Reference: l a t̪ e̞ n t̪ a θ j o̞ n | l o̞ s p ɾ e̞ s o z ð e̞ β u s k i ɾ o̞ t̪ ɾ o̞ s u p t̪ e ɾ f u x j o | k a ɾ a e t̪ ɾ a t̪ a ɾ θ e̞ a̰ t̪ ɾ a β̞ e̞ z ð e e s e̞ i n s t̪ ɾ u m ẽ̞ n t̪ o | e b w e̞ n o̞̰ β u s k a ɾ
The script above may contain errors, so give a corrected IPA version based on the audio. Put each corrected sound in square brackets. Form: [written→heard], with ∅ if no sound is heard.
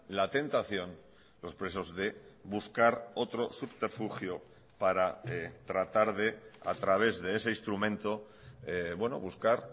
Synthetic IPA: l a t̪ e̞ n t̪ a θ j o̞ n | l o̞ s p ɾ e̞ s o z ð e̞ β u s k [i→a] ɾ o̞ t̪ ɾ o̞ s u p t̪ e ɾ f u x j o | [k→p] a ɾ a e t̪ ɾ a t̪ a ɾ [θ→ð] e̞ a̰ t̪ ɾ a β̞ e̞ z ð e e s e̞ i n s t̪ ɾ u m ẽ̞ n t̪ o | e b w e̞ n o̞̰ β u s k a ɾ